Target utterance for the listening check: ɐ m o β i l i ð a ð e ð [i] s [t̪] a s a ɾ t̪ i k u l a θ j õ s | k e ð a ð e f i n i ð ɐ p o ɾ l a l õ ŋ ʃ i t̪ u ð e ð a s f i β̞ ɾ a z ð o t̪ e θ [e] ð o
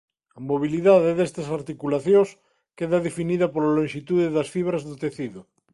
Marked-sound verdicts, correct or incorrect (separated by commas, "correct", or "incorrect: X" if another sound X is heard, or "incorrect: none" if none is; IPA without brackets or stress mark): incorrect: e, correct, incorrect: i